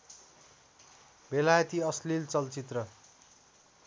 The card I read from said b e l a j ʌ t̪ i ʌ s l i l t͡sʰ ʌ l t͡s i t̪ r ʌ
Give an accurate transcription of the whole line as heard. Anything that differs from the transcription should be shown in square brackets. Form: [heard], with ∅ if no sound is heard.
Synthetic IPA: b e l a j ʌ t̪ i ʌ s l i l [t͡s] ʌ l t͡s i t̪ r ʌ